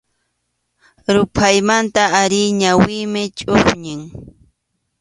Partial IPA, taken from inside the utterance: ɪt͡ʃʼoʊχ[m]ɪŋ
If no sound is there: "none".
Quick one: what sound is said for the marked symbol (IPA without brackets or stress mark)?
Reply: ɲ